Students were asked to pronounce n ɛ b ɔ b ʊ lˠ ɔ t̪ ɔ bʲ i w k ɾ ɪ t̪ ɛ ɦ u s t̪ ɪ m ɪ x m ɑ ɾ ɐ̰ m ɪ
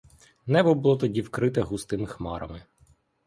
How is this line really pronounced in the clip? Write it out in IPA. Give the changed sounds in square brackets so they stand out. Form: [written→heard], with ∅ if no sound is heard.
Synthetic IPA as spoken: n ɛ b ɔ b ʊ lˠ ɔ t̪ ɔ [bʲ→dʲ] i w k ɾ ɪ t̪ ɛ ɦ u s t̪ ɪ m ɪ x m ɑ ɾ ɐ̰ m ɪ